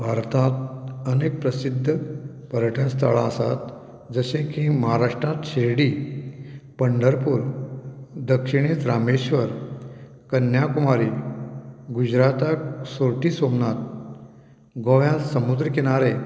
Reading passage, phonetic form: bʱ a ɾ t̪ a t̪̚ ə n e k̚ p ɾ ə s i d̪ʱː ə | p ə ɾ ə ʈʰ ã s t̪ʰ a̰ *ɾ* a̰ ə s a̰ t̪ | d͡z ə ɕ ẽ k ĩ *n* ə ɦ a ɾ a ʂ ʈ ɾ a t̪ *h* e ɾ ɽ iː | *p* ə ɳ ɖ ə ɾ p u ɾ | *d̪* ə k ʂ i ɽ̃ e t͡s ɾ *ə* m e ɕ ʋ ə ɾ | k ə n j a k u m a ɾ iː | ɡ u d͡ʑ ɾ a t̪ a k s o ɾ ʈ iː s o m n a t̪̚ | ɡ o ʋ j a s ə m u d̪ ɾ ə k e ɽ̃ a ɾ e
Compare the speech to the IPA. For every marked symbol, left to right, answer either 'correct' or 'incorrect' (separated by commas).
incorrect, incorrect, incorrect, correct, correct, incorrect